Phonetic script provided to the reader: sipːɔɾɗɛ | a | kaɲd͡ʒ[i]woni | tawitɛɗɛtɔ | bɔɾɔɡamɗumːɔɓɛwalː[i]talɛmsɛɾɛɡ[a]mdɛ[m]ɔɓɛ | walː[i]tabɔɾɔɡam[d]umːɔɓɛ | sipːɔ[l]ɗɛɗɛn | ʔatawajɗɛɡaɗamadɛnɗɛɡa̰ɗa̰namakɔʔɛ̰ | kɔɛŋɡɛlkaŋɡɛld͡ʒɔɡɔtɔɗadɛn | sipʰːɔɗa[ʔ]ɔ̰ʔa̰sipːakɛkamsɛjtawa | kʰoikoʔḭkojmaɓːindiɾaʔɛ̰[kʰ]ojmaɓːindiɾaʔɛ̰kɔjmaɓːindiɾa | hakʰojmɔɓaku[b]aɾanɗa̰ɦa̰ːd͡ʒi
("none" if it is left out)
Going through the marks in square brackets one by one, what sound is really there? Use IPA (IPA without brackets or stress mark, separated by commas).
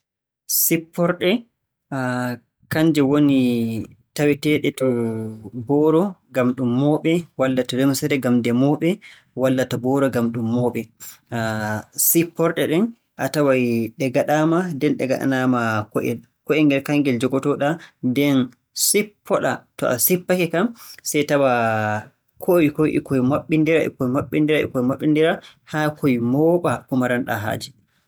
ɛ, a, a, m, a, ɗ, ɾ, t, k, m